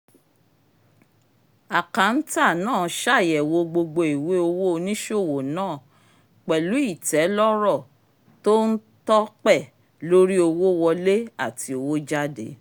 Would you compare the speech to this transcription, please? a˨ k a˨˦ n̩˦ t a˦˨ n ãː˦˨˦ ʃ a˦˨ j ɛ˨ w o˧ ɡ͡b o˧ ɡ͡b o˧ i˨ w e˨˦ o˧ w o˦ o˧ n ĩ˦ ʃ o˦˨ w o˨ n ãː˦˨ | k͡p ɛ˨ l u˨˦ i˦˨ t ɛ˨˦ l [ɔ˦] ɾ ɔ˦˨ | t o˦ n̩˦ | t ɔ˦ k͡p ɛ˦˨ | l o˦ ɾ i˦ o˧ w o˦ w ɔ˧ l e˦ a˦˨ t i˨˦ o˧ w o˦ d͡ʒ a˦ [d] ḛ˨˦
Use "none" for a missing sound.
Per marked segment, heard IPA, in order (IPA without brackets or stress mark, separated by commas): ɔ˦, d